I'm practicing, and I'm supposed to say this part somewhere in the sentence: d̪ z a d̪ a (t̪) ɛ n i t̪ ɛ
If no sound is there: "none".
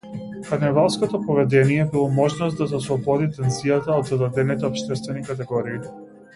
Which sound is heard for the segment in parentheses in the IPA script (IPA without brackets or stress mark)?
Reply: d̪